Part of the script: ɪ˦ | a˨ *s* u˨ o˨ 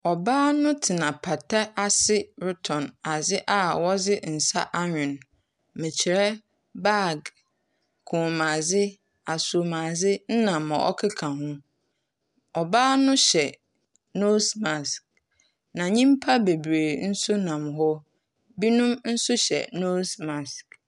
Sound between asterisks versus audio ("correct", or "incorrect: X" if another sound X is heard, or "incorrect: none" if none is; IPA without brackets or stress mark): correct